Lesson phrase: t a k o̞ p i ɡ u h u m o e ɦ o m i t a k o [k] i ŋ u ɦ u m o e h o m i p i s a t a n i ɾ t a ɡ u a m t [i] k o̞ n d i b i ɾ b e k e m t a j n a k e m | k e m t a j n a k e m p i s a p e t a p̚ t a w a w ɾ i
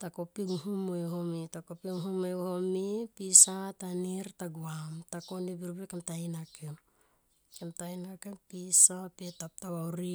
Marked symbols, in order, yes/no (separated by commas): no, no